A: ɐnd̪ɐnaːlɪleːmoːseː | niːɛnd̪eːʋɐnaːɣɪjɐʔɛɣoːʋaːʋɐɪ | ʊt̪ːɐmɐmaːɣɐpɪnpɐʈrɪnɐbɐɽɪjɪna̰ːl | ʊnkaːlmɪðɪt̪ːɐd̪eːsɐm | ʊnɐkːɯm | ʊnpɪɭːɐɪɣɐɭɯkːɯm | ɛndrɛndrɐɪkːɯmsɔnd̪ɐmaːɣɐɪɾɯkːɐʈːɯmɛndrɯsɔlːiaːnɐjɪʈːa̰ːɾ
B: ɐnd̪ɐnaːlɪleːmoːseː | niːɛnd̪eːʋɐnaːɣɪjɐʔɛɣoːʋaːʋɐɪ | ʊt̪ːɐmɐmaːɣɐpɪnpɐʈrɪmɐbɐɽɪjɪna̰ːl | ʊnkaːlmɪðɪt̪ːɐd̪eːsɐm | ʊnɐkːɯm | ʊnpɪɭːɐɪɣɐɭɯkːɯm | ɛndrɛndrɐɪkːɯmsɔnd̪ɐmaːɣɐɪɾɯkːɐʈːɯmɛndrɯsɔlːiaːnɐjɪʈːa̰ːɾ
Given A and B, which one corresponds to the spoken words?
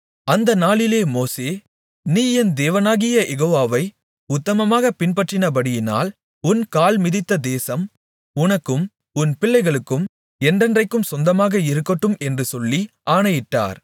A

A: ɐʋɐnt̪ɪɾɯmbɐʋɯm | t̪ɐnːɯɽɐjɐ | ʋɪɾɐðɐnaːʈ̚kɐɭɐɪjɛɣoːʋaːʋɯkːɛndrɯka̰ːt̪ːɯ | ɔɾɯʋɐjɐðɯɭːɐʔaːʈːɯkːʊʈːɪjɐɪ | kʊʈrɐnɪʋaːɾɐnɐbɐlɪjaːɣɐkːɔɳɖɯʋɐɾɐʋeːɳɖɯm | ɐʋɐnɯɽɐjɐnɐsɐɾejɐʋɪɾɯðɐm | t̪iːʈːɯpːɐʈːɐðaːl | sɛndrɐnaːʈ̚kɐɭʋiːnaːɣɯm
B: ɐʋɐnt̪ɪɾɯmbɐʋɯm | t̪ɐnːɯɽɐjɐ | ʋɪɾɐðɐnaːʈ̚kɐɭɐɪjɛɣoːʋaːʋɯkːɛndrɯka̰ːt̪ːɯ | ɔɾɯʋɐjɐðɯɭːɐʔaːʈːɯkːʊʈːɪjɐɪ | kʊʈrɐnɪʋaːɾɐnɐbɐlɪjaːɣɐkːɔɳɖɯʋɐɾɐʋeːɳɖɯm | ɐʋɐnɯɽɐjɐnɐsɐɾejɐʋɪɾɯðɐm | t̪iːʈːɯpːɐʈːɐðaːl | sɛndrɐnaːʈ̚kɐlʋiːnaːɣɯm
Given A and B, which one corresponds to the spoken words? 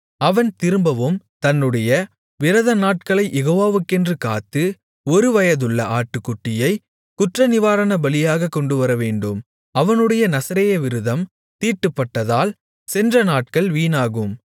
A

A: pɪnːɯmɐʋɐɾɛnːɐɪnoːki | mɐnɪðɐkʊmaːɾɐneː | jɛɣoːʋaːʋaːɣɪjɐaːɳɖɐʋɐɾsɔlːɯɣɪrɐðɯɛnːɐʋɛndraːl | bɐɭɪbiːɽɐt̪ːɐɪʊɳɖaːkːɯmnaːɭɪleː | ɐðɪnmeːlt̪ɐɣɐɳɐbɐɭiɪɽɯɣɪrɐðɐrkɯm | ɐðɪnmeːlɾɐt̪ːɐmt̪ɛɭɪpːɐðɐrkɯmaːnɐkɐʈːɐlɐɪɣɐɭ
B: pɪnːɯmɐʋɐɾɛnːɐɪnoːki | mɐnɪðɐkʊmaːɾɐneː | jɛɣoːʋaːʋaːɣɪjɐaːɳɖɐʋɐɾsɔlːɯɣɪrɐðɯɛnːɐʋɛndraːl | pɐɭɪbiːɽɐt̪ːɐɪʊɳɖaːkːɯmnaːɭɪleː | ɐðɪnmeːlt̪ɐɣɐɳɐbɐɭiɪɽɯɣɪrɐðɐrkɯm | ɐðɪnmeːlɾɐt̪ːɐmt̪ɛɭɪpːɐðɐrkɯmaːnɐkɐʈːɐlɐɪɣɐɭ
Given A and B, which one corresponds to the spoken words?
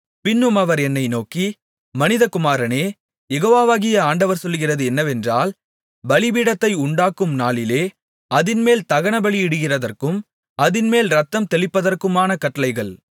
A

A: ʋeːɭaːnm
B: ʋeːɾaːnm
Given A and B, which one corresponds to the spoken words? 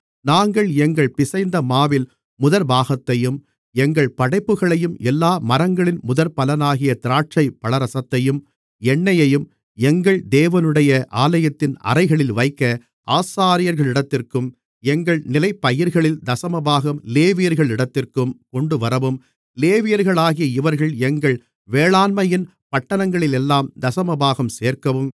A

